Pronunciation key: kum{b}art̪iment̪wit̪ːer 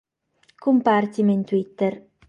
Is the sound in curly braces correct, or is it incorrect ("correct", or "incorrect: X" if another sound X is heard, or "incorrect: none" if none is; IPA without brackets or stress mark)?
incorrect: p